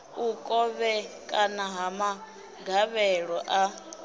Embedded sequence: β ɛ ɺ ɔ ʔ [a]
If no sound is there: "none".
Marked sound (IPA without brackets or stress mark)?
a